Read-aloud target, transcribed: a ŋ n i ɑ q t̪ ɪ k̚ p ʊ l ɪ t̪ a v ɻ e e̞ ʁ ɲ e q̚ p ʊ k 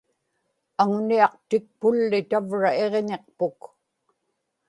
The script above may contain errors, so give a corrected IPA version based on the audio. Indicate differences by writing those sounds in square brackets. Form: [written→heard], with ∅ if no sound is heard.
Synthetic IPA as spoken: a ŋ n i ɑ q t̪ ɪ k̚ p ʊ [l→lː] ɪ t̪ a v ɻ [e→a] e̞ ʁ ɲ e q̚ p ʊ k